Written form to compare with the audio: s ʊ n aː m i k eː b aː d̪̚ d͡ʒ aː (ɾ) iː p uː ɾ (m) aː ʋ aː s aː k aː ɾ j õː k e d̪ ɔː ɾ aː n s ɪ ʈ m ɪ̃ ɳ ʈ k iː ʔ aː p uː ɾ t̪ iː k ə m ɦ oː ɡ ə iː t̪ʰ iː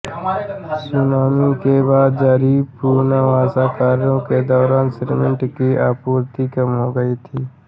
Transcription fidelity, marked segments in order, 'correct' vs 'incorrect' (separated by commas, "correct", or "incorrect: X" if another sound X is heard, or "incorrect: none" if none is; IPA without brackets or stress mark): correct, incorrect: n